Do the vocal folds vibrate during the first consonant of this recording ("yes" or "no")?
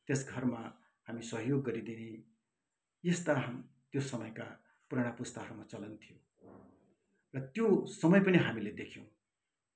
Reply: no